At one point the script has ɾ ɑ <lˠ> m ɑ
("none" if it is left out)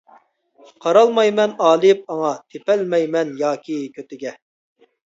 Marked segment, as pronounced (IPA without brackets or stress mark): lˠ